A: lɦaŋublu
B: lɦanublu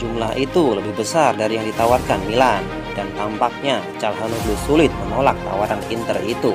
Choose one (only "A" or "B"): B